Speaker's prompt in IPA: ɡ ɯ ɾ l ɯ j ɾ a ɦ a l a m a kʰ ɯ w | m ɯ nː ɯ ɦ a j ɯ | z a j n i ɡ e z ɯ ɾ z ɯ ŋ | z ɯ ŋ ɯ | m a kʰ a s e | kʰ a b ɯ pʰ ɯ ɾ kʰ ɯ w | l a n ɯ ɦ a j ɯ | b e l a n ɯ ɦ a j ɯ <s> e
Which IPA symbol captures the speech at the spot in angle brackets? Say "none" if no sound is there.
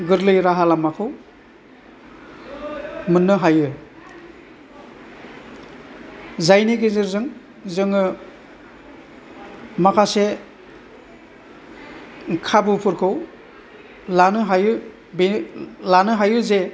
z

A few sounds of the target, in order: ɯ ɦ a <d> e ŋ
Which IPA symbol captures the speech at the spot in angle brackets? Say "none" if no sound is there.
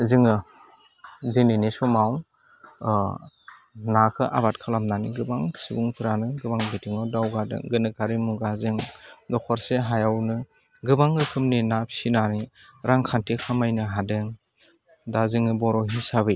d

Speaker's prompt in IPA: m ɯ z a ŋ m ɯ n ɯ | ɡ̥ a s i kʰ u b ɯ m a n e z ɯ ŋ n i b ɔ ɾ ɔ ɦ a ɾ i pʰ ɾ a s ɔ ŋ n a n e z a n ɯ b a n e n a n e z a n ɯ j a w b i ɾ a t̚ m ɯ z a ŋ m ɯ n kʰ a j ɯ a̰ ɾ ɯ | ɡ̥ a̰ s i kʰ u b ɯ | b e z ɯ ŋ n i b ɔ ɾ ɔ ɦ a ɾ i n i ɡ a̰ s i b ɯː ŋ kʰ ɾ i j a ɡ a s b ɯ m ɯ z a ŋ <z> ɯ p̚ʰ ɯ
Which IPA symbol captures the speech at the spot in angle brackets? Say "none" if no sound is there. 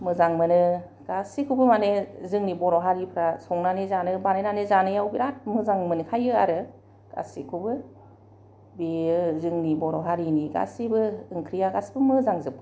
z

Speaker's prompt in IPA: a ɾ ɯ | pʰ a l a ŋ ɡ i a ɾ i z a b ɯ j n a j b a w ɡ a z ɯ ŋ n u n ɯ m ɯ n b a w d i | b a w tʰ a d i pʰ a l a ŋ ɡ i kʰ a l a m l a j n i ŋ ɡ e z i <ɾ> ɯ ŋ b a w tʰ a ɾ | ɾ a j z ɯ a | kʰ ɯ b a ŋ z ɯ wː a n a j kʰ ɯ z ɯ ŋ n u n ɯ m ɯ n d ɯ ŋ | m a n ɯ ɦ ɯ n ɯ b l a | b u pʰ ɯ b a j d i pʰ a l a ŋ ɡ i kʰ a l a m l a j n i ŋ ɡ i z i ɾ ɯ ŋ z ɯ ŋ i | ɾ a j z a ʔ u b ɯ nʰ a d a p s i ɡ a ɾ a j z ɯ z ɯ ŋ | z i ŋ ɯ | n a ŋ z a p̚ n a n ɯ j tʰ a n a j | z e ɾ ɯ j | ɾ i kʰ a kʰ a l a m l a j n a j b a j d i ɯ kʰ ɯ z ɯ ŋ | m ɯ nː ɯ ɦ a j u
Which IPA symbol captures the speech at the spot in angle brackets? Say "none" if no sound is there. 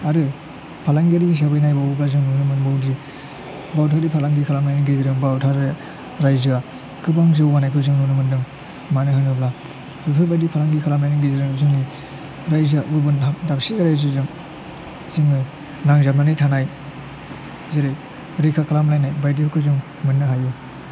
ɾ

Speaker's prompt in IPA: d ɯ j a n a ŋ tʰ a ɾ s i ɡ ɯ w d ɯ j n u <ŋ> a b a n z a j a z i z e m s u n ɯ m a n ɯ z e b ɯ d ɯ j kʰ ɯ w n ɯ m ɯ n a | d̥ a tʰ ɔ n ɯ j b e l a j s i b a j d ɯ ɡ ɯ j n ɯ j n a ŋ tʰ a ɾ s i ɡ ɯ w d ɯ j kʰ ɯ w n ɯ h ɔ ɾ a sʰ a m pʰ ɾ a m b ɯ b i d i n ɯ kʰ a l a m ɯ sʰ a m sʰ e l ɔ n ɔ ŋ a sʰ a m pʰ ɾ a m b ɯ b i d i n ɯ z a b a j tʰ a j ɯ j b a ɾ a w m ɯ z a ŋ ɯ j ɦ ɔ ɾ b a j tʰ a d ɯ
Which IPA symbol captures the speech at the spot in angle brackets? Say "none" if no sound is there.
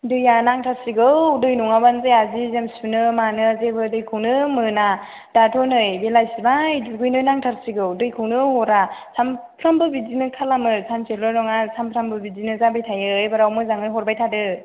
ŋ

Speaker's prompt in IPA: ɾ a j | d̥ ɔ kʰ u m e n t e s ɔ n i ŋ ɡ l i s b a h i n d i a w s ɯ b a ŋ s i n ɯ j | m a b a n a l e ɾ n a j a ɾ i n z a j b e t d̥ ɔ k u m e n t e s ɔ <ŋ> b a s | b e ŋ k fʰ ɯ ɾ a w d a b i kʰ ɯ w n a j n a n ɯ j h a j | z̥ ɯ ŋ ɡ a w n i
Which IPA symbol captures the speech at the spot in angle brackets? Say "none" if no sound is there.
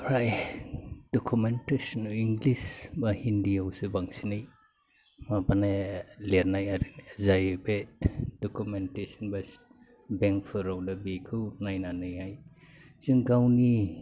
n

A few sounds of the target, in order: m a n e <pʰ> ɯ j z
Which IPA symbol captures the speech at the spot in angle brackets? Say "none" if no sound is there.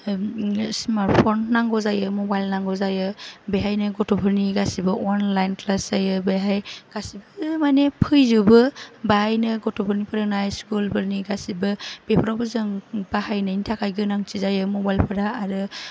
pʰ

